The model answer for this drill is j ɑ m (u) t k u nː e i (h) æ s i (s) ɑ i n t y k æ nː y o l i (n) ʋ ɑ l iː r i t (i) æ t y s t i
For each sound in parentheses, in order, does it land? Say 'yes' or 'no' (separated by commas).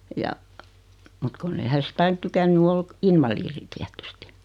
yes, yes, no, yes, yes